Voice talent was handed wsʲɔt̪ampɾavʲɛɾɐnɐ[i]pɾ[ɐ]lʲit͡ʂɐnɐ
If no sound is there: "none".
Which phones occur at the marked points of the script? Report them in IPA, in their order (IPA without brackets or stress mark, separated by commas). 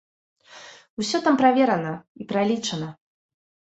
i, a